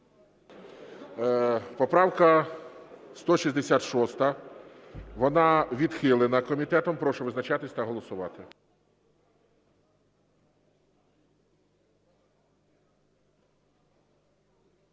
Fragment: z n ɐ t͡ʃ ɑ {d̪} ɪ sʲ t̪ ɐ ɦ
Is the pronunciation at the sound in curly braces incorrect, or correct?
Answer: incorrect